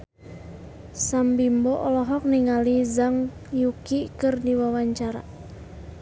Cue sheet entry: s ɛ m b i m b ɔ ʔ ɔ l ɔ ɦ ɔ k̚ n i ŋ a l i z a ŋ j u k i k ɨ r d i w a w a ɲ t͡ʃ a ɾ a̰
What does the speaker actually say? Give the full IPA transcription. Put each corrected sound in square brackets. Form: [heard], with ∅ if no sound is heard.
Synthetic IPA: s [a] m b i m b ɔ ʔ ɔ l ɔ ɦ ɔ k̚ n i ŋ a l i z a ŋ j u k i k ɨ r d i w a w a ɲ t͡ʃ a ɾ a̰